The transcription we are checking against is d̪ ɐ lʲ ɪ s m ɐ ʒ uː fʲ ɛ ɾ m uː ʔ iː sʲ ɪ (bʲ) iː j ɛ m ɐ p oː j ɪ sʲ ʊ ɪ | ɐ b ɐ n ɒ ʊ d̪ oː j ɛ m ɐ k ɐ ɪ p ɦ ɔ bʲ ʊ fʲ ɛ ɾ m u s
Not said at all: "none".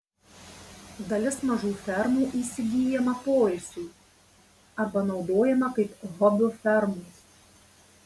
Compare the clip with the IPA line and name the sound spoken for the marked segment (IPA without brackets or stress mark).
ɡʲ